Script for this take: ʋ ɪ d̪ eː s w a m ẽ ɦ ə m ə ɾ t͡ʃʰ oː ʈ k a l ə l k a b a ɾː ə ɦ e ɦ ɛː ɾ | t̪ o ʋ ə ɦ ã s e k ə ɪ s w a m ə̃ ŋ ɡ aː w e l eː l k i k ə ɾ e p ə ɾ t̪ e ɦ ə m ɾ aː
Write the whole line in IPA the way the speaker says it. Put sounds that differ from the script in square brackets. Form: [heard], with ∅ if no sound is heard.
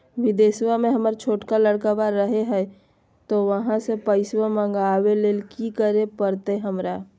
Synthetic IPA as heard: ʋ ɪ d̪ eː s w a m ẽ ɦ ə m ə ɾ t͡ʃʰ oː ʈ k a l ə [ɽ] k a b a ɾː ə ɦ e ɦ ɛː [∅] | t̪ o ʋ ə ɦ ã s e [p] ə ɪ s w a m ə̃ ŋ ɡ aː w e l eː l k i k ə ɾ e p ə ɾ t̪ e ɦ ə m ɾ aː